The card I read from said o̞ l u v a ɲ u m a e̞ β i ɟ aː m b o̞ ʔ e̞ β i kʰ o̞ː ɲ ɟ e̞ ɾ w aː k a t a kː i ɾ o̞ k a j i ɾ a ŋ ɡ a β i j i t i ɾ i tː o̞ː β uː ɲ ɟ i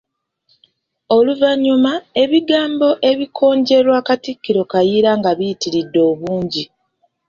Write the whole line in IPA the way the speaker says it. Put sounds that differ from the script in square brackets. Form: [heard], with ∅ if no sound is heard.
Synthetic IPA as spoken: o̞ l u v a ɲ u m a e̞ β i [ɡ] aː m b o̞ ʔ e̞ β i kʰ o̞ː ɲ ɟ e̞ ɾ w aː k a t [i] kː i ɾ o̞ k a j i ɾ a ŋ ɡ a β i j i t i ɾ i [dː] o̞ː β uː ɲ ɟ i

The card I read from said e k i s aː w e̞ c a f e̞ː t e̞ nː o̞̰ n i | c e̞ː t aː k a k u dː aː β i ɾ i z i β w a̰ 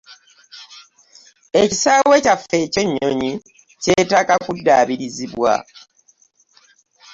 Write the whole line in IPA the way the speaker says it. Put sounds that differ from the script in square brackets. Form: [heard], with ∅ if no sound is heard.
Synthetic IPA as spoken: e [c] i s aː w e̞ c a f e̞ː [c] e̞ [ɲː] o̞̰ [ɲ] i | c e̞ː t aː k a k u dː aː β i ɾ i z i β w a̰

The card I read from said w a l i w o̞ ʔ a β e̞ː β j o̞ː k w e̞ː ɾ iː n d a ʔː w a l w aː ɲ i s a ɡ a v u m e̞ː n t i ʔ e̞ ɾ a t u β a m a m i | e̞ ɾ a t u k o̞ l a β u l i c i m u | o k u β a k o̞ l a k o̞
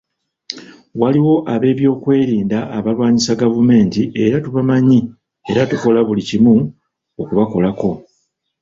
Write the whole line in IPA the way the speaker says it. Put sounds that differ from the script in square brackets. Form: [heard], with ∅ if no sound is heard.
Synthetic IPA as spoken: w a l i w o̞ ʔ a β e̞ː β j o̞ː k w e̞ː ɾ iː n d a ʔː [β] a l w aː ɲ i s a ɡ a v u m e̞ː n t i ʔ e̞ ɾ a t u β a m a [ɲ] i | e̞ ɾ a t u k o̞ l a β u l i c i m u | o k u β a k o̞ l a k o̞

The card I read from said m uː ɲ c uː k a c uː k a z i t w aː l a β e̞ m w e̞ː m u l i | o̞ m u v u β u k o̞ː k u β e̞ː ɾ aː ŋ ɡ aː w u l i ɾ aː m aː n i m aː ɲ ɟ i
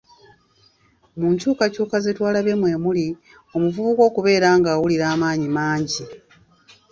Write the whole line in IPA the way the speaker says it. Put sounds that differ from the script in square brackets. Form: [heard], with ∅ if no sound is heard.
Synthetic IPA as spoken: m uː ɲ c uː k a c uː k a z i t w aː l a β e̞ m w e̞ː m u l i | o̞ m u v u β u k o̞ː k u β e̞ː ɾ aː ŋ ɡ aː w u l i ɾ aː m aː [ɲ] i m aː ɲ ɟ i

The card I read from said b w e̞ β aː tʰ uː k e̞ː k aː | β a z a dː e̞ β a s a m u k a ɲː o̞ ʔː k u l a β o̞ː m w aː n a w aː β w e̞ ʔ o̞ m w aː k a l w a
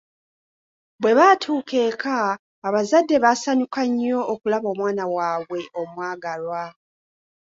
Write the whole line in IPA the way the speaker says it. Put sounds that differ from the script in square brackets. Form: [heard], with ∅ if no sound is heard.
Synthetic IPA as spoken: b w e̞ β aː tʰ uː k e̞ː k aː | β a z a dː e̞ β a s a [ɲ] u k a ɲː o̞ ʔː k u l a β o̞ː m w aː n a w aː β w e̞ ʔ o̞ m w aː [ɡ] a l w a

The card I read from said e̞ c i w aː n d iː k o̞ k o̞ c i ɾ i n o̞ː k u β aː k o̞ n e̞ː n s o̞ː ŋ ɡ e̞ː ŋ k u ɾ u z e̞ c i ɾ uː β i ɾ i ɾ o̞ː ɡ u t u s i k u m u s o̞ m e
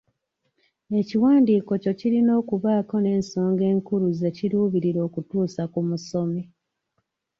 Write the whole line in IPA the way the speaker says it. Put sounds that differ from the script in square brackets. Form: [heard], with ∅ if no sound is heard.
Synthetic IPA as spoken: e̞ c i w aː n d iː k o̞ [c] o̞ c i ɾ i n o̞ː k u β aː k o̞ n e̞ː n s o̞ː ŋ ɡ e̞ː ŋ k u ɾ u z e̞ c i ɾ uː β i ɾ i ɾ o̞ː [k] u t [uː] s [a] k u m u s o̞ m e

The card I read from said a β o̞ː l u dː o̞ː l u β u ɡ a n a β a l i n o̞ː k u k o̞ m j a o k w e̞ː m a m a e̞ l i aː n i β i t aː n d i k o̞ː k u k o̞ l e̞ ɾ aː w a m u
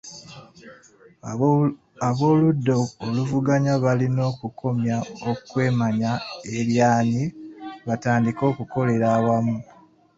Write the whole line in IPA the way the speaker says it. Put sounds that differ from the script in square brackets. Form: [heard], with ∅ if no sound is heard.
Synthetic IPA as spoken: a β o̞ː l u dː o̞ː l u [v] u ɡ a [ɲ] a β a l i n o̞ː k u k o̞ m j a o k w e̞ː m a [ɲ] a e̞ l [j] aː n i β [a] t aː n d i k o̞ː k u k o̞ l e̞ ɾ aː w a m u

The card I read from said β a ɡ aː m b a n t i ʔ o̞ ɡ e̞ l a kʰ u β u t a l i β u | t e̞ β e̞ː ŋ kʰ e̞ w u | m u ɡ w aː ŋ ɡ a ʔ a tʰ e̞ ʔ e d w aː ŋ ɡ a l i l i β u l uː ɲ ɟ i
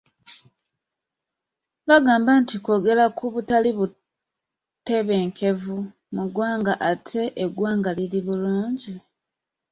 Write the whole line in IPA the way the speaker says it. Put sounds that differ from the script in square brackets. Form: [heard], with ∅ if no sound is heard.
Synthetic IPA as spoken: β a ɡ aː m b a n t i [k] o̞ ɡ e̞ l a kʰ u β u t a l i β u | t e̞ β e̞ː ŋ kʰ e̞ [v] u | m u ɡ w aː ŋ ɡ a ʔ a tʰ e̞ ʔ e [ɡ] w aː ŋ ɡ a l i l i β u l uː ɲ ɟ i

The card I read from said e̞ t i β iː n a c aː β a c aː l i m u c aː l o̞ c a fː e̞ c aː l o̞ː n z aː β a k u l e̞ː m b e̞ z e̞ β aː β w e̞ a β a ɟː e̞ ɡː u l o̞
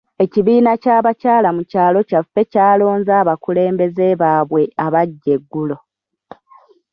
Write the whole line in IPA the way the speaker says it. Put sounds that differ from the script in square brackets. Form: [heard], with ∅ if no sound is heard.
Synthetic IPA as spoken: e̞ [c] i β iː n a c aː β a c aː l [a] m u c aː l o̞ c a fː e̞ c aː l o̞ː n z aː β a k u l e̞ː m b e̞ z e̞ β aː β w e̞ a β a ɟː e̞ ɡː u l o̞

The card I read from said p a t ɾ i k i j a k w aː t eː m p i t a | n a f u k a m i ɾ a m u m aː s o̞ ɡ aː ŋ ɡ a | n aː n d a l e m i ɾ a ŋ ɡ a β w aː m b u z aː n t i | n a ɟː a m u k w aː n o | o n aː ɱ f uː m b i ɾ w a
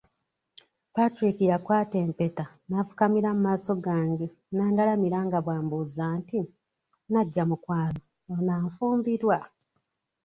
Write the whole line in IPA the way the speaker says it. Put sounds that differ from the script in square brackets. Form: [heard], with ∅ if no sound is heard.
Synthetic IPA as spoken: p a t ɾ i k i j a k w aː t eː m p [e] t a | n a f u k a m i ɾ a m u m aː s o̞ ɡ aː ŋ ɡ [e] | n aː n d a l [a] m i ɾ a ŋ ɡ a β w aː m b u z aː n t i | n a ɟː a m u k w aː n o | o n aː ɱ f uː m b i ɾ w a

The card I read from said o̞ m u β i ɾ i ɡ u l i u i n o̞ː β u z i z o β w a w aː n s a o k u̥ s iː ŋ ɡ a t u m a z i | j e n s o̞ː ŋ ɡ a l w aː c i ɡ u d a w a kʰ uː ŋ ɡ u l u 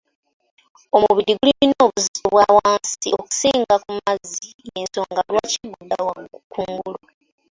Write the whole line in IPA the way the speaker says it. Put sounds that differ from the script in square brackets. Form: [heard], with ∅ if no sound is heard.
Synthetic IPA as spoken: o̞ m u β i ɾ i ɡ u l i u i n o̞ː β u z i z o β w a w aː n s [i] o k u̥ s iː ŋ ɡ a [k] u m a z i | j e n s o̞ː ŋ ɡ a l w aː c i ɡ u d a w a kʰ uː ŋ ɡ u l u

